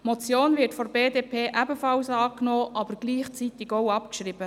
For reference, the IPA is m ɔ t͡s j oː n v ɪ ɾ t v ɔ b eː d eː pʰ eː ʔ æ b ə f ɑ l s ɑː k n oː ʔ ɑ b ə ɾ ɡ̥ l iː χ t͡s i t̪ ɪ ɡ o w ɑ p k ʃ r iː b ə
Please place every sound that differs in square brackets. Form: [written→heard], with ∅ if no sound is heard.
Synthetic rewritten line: m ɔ t͡s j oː n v ɪ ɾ t [v→f] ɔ b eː d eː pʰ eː ʔ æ b ə f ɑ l s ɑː k n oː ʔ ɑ b ə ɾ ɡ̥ l iː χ t͡s i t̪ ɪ ɡ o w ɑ p k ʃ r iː b ə